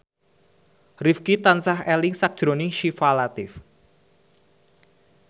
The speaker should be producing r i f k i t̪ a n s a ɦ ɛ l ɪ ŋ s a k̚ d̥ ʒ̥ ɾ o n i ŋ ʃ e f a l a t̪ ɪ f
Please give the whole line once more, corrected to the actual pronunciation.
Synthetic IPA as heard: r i f k i t̪ a n s a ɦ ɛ l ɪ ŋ s a k̚ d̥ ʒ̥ ɾ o n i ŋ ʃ i f a l a t̪ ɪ f